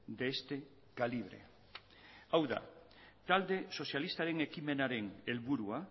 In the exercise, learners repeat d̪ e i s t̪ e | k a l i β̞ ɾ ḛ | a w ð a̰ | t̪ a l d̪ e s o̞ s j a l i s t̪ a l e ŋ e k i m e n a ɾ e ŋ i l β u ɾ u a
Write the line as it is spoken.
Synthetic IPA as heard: d̪ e e s t̪ e | k a l i β̞ ɾ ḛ | a w ð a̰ | t̪ a l d̪ e s o̞ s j a l i s t̪ a ɾ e ŋ e k i m e n a ɾ e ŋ e l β u ɾ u a